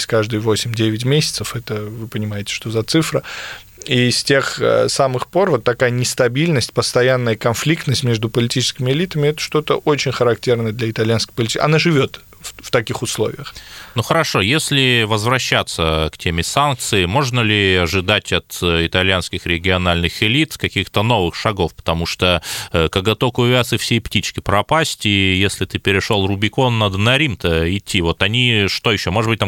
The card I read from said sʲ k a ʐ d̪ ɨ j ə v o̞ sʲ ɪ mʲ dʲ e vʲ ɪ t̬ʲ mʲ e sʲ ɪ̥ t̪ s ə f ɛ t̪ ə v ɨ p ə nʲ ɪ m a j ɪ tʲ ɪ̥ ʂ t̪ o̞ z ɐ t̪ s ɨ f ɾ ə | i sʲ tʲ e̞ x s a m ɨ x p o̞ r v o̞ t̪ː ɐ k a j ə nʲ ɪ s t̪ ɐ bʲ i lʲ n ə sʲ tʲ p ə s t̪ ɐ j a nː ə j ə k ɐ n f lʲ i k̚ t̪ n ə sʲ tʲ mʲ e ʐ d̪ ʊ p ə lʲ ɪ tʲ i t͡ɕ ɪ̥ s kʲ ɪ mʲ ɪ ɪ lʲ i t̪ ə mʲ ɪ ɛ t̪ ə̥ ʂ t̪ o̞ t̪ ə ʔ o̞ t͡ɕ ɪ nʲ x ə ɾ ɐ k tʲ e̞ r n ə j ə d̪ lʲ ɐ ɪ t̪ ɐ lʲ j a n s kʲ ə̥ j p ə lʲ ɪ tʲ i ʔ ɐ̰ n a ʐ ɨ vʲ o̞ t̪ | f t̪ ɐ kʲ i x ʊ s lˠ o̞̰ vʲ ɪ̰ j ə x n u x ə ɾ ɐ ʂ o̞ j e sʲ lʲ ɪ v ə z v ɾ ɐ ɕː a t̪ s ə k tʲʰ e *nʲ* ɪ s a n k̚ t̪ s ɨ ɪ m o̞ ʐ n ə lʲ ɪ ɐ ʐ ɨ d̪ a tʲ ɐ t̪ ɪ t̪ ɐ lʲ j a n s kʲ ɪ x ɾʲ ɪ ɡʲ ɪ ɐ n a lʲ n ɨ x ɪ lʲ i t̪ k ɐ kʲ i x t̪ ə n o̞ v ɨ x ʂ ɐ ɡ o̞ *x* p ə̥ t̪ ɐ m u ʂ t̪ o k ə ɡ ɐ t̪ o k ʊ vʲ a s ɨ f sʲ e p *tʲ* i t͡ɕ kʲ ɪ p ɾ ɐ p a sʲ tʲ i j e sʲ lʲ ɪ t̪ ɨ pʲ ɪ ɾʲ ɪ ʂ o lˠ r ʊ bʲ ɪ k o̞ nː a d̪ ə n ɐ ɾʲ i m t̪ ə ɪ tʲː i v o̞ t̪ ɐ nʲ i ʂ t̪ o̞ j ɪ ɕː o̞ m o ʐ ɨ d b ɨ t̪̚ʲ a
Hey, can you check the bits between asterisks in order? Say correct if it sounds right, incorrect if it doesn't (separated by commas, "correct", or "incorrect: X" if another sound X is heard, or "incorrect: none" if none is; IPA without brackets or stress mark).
incorrect: mʲ, incorrect: f, correct